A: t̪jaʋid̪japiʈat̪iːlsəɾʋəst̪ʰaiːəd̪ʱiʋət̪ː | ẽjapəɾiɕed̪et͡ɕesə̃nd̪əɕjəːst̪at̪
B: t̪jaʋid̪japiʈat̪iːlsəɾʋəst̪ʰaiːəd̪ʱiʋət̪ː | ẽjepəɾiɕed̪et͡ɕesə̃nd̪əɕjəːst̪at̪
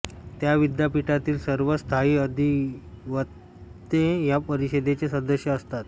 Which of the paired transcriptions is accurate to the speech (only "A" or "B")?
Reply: A